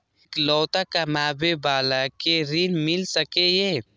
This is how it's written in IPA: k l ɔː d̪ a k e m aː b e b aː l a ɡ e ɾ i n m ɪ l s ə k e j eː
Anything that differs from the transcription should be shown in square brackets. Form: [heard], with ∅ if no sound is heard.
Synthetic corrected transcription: k l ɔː [t̪] a k [a] m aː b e b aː l a [k] e ɾ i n m ɪ l s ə k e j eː